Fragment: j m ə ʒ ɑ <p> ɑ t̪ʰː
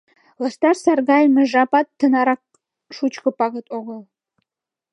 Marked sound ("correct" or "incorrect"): correct